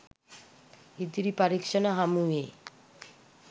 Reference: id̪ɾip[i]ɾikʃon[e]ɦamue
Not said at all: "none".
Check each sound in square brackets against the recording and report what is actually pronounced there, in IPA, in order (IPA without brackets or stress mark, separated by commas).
a, a